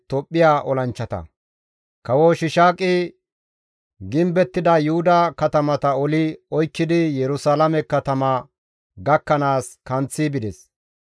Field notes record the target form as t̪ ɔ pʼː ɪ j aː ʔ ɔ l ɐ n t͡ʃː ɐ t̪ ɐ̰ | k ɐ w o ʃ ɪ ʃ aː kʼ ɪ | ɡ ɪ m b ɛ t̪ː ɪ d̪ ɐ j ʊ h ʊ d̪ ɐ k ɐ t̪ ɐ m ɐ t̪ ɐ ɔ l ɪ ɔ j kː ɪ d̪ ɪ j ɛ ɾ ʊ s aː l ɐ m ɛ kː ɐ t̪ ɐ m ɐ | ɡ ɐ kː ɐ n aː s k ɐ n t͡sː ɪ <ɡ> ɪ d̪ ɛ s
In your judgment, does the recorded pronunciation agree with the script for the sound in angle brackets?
no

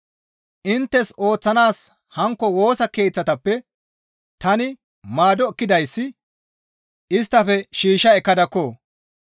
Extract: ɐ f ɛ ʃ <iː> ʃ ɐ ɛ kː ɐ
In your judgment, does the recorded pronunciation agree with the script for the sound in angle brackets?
yes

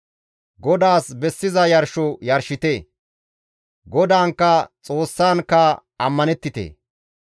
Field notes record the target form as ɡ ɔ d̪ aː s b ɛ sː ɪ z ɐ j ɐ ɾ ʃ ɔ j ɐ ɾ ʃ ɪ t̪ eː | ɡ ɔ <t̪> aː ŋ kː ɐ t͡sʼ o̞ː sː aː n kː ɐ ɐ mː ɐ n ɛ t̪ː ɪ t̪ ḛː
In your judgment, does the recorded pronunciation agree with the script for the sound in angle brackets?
no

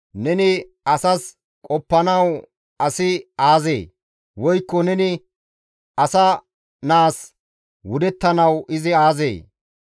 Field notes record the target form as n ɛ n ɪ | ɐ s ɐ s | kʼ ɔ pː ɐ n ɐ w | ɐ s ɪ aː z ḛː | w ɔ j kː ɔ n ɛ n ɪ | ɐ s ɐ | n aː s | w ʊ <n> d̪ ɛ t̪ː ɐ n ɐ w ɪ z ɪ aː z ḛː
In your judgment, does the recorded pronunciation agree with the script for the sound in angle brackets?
no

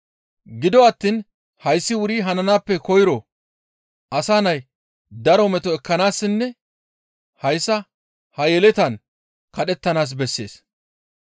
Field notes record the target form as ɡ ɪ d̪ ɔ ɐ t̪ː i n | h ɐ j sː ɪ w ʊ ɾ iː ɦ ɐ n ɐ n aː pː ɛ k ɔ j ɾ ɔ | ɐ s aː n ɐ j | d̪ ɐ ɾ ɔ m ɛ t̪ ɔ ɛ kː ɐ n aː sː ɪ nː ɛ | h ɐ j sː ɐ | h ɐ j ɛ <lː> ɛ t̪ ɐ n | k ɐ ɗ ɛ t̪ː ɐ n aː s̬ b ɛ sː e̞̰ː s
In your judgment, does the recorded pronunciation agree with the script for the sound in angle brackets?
no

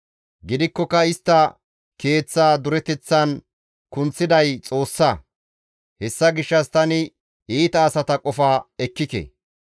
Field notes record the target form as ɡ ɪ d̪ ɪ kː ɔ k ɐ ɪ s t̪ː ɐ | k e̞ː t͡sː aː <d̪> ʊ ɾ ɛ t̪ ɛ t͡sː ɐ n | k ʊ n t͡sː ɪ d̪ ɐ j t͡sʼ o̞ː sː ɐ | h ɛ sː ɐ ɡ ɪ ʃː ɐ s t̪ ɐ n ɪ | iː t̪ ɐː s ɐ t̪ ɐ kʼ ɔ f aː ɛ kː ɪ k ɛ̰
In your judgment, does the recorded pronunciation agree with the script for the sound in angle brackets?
yes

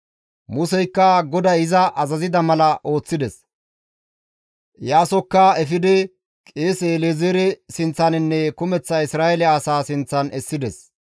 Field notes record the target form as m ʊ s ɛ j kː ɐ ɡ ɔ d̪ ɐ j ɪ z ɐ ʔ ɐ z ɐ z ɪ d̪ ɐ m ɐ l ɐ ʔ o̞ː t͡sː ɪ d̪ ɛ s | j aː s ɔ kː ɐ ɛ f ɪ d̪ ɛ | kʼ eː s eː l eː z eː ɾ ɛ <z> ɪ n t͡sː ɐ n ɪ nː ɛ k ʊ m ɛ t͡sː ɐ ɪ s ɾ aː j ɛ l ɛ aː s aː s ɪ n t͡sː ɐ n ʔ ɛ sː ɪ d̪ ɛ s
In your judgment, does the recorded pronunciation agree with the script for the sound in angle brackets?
no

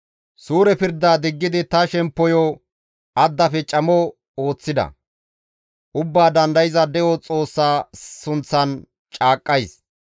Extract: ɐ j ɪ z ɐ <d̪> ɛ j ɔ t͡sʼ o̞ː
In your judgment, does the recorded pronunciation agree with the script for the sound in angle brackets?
yes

